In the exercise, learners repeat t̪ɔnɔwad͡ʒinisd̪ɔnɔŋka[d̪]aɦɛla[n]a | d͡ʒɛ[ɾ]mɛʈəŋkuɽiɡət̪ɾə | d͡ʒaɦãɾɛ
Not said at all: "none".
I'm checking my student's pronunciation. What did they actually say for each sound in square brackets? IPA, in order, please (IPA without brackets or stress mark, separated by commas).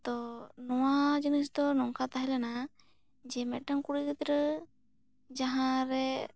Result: t̪, n, none